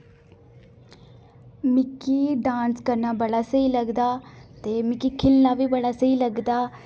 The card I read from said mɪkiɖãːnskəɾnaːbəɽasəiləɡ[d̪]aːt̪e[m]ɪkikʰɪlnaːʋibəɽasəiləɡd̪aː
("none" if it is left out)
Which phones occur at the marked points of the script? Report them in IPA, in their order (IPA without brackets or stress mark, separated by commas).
d̪, m